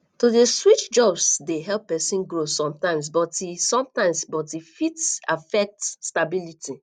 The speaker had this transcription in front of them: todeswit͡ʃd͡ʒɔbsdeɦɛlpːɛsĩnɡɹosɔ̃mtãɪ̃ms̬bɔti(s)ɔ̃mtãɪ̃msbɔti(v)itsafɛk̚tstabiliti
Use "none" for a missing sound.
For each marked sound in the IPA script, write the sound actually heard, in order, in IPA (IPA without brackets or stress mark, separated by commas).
s, f